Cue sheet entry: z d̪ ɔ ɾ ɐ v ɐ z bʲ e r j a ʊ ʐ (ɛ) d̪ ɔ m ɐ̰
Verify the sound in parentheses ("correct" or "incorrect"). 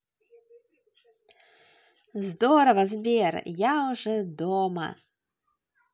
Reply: correct